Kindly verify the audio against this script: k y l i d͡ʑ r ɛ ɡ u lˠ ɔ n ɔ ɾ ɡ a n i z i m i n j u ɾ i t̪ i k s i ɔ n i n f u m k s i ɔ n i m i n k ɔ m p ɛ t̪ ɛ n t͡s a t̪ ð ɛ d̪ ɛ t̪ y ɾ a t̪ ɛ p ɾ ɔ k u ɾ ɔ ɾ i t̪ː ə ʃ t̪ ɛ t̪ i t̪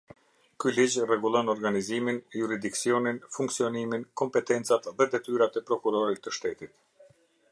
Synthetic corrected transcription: k y l i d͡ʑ r ɛ ɡ u lˠ ɔ n ɔ ɾ ɡ a n i z i m i n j u ɾ i d̪ i k s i ɔ n i n f u ŋ k s i ɔ n i m i n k ɔ m p ɛ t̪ ɛ n t͡s a t̪ ð ɛ d̪ ɛ t̪ y ɾ a t̪ ɛ p ɾ ɔ k u ɾ ɔ ɾ i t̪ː ə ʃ t̪ ɛ t̪ i t̪